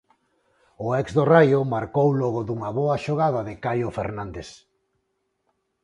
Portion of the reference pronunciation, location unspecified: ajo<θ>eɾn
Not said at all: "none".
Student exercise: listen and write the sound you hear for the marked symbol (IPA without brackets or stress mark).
f